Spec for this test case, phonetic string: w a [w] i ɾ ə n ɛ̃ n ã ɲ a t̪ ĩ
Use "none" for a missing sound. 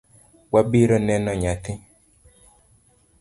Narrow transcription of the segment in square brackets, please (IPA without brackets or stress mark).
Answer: b